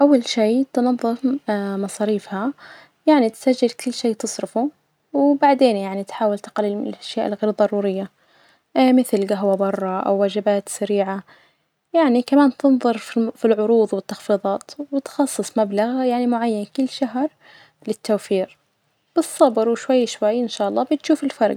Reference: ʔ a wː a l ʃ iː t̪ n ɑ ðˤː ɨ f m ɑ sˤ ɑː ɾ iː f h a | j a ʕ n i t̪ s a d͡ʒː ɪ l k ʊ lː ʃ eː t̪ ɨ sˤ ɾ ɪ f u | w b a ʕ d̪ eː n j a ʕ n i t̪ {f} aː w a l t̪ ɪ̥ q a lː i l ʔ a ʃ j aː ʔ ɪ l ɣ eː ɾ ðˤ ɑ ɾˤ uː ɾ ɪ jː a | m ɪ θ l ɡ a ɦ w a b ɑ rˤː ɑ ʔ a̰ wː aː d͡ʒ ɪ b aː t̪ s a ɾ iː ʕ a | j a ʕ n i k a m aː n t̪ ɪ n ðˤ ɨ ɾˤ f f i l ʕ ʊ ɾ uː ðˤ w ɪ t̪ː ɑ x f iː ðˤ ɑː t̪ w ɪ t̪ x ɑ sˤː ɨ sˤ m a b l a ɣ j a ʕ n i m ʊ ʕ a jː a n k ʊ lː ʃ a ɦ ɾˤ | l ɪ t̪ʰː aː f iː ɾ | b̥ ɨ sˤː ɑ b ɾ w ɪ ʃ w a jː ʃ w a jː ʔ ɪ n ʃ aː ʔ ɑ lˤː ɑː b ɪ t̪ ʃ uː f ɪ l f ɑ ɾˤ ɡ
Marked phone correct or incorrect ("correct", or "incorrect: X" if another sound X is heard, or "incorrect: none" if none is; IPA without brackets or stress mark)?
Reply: incorrect: ħ